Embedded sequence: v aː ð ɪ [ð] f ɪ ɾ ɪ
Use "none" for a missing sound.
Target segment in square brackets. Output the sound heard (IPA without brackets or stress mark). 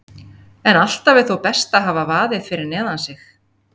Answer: ð